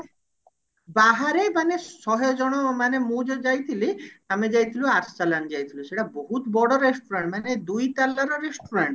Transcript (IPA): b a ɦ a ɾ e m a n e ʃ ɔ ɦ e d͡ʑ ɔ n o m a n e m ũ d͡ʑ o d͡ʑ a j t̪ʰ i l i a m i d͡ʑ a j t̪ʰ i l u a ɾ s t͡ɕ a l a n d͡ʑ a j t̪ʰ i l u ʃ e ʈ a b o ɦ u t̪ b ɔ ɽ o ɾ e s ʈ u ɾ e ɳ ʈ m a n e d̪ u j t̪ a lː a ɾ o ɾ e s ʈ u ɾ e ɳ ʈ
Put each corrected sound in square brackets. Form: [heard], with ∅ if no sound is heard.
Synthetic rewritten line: b a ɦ a ɾ e m a n e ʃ ɔ ɦ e d͡ʑ ɔ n o m a n e m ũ d͡ʑ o d͡ʑ a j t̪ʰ i l i a m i d͡ʑ a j t̪ʰ i l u a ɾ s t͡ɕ a l a n d͡ʑ a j t̪ʰ i l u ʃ e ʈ a b o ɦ u t̪ b ɔ ɽ o ɾ e s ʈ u ɾ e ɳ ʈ m a n e d̪ u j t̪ a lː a ɾ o ɾ e s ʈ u ɾ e ɳ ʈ